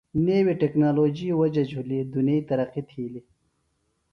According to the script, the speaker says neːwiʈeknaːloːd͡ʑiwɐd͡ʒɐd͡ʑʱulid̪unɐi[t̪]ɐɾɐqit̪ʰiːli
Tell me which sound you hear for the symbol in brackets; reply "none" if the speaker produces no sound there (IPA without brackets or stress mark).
t̪